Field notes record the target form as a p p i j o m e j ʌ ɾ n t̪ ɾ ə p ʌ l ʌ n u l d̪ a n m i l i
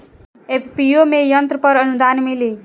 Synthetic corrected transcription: e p p i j o m e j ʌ n t̪ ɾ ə p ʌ ɾ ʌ n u d̪ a n m i l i